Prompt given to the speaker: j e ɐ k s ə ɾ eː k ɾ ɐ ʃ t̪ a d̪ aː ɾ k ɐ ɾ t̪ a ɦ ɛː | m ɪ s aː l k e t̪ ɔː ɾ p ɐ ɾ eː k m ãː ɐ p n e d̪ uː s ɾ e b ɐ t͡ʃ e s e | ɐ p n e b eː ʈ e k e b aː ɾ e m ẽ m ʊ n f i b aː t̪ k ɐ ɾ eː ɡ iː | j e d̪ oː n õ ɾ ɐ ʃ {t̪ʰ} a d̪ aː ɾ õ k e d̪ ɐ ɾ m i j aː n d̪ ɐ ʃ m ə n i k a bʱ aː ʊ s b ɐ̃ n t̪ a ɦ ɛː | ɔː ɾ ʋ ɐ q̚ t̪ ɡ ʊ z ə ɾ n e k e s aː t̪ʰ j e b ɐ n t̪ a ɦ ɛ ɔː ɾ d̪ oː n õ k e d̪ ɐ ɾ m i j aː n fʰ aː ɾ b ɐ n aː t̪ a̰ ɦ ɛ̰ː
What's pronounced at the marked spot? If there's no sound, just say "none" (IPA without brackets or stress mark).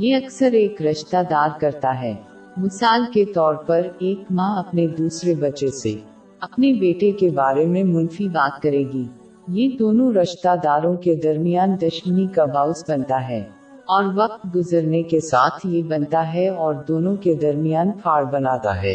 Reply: t̪